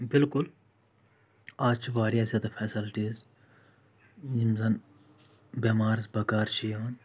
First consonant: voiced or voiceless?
voiced